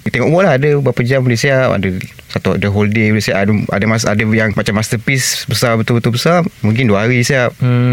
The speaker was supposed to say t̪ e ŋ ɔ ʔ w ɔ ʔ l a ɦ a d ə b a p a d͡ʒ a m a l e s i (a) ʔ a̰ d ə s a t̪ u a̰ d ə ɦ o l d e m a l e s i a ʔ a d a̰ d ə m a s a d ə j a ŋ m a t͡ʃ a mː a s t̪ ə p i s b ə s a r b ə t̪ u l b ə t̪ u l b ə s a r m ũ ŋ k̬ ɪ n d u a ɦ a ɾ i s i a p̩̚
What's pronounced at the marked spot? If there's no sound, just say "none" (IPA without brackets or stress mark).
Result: a